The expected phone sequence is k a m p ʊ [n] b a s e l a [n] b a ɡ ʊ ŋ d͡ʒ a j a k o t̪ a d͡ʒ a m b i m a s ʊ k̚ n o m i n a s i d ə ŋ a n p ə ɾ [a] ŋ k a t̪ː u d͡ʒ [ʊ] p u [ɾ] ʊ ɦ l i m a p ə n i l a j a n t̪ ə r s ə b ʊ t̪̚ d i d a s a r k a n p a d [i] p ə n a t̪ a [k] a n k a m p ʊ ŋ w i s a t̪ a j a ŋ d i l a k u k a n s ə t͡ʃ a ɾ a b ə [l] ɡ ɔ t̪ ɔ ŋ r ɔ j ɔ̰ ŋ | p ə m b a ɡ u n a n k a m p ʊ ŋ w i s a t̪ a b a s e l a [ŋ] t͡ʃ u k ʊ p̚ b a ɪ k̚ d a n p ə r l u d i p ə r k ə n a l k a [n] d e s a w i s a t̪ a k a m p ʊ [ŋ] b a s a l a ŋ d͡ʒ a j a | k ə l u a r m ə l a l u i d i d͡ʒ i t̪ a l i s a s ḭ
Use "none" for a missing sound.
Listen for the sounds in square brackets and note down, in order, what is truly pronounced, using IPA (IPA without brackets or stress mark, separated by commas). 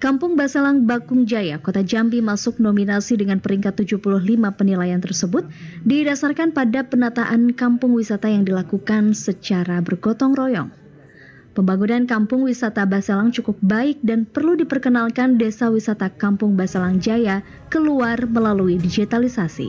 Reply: ŋ, ŋ, i, u, l, a, ʔ, r, ŋ, n, ŋ